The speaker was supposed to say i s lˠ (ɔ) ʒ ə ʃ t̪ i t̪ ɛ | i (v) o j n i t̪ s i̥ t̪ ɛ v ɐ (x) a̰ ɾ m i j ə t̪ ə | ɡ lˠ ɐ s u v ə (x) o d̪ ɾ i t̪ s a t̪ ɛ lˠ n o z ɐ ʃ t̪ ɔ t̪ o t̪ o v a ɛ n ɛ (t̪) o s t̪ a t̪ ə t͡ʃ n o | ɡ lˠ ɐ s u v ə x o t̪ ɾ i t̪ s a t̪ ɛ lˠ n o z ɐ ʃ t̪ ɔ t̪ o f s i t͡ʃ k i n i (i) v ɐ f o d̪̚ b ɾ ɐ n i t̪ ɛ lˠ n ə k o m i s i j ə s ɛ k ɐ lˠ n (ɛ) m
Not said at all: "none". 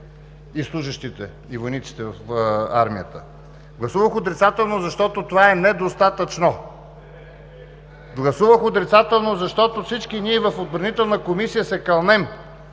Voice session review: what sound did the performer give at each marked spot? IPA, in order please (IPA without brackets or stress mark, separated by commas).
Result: u, v, f, x, d̪, ɛ, ɛ